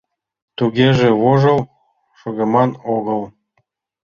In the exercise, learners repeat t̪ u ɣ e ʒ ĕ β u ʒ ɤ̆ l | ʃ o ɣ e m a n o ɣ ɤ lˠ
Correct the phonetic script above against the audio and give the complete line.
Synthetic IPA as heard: t̪ u ɣ e ʒ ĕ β o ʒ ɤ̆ l | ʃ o ɣ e m ɑ n o ɣ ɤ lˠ

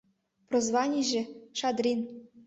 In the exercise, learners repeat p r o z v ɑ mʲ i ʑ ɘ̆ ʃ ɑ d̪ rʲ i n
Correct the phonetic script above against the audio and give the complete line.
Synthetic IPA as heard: p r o z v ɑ nʲ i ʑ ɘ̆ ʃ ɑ d̪ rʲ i n

